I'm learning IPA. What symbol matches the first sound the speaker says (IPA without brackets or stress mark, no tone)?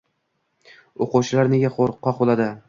o